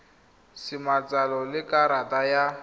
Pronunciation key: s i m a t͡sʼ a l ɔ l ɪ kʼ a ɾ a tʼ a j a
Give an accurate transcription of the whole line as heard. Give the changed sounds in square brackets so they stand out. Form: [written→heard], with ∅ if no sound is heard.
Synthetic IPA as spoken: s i m a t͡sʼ a l ɔ l ɪ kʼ a ɾ a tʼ a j a